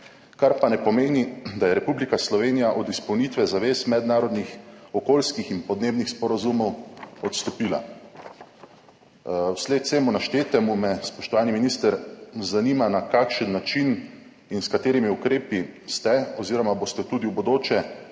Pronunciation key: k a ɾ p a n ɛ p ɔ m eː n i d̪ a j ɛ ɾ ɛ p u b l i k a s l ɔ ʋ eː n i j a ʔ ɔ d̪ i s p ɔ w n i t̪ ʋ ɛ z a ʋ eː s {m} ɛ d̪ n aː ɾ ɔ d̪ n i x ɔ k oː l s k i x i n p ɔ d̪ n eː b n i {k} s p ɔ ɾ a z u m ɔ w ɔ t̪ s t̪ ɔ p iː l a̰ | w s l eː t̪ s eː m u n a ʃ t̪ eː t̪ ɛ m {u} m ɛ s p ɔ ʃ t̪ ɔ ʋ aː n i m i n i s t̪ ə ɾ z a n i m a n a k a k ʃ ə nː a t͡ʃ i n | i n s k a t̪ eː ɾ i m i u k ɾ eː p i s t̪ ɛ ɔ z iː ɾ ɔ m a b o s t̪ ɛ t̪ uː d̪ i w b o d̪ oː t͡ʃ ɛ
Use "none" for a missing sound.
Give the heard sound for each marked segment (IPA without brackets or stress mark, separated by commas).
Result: m, x, u